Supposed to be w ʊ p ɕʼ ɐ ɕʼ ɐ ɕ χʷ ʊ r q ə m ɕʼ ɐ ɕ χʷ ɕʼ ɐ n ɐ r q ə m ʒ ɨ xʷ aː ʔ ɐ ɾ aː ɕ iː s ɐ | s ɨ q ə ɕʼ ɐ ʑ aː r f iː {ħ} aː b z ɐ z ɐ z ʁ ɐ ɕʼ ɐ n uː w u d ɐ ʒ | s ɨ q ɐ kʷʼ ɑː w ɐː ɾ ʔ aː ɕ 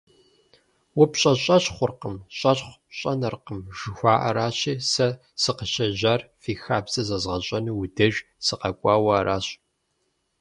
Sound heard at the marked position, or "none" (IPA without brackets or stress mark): x